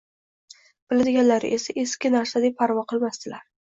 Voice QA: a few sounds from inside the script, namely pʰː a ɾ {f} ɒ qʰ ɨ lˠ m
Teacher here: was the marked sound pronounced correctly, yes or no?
no